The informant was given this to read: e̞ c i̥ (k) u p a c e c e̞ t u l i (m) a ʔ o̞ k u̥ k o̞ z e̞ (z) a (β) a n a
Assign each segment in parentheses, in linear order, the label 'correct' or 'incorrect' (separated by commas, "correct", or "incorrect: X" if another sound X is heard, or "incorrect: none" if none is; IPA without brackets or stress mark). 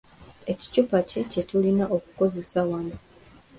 incorrect: c, incorrect: n, incorrect: s, incorrect: w